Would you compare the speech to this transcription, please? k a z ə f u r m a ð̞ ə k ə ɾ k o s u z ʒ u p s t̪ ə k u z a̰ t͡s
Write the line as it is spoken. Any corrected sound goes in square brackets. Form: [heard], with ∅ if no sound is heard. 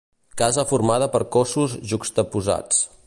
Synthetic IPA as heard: k a z ə f u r m a ð̞ ə [p] ə ɾ k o s u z ʒ u [k] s t̪ ə [p] u z a̰ t͡s